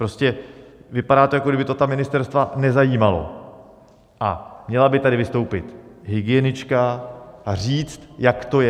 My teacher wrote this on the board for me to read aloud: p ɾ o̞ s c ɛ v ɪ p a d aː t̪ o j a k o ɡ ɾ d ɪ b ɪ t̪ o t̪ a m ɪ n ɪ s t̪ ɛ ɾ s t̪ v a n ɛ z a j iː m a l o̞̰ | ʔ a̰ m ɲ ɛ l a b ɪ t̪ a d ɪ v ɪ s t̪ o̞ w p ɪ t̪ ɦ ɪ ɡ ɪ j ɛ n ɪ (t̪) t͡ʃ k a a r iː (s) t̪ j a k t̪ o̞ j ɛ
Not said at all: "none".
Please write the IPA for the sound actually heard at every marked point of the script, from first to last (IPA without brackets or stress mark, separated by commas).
none, t͡s